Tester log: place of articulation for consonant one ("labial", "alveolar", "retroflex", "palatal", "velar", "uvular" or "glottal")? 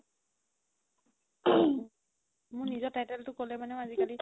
labial